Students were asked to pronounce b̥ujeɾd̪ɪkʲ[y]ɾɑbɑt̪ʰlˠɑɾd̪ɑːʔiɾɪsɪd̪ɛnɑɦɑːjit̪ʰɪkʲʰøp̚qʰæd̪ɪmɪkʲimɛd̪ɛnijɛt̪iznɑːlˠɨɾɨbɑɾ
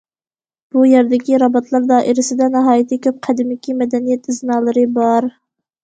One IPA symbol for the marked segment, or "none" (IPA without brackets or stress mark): i